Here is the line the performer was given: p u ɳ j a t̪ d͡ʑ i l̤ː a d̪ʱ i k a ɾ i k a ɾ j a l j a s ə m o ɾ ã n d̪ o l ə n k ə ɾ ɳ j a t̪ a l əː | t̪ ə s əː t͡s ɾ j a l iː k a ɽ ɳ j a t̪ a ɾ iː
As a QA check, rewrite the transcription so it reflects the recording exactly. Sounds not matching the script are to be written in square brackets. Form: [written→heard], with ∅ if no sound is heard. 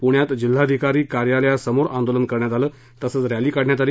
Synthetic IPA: p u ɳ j a t̪ d͡ʑ i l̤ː a d̪ʱ i k a ɾ [i→iː] k a ɾ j a l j a s ə m o ɾ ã n d̪ o l ə n k ə ɾ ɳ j a t̪ a l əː | t̪ ə s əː t͡s ɾ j a l iː k a ɽ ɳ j a t̪ a ɾ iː